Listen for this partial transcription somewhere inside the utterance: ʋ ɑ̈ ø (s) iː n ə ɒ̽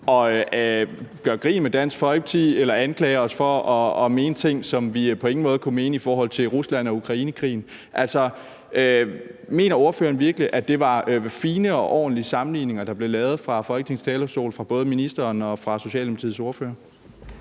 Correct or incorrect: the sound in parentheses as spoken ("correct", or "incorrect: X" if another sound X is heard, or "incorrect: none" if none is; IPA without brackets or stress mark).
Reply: incorrect: f